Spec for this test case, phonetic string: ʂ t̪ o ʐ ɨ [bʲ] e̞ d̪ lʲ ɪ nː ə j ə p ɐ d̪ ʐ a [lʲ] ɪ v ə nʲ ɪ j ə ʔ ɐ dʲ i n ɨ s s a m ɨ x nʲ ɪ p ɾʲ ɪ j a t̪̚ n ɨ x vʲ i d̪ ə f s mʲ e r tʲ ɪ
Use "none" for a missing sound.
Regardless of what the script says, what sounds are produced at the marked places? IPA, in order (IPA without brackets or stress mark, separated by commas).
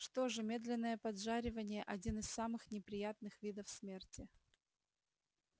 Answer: mʲ, ɾʲ